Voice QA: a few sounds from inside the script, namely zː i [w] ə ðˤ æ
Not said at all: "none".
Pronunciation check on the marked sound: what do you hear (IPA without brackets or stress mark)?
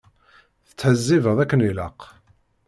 v